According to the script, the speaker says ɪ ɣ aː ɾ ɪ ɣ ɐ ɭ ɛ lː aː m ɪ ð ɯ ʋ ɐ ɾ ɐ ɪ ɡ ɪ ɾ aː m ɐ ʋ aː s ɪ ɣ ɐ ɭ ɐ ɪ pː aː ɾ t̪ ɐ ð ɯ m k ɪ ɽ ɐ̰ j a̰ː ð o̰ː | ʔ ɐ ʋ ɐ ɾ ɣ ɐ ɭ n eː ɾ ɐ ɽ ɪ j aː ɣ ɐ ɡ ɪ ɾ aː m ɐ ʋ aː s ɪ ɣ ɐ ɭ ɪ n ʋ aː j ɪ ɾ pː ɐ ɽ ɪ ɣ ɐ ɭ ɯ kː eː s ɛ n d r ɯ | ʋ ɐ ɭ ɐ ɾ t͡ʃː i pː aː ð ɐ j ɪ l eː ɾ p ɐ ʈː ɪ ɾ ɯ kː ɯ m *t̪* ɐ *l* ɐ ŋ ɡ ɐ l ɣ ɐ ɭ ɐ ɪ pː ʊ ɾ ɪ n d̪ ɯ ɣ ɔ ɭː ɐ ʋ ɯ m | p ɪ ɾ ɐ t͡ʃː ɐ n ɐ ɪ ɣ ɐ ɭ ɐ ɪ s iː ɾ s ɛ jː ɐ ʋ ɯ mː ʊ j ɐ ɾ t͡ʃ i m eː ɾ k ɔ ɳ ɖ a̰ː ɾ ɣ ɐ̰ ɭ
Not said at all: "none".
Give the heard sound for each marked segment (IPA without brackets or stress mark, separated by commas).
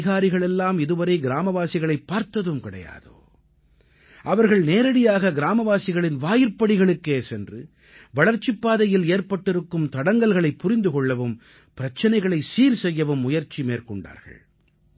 t̪, ɽ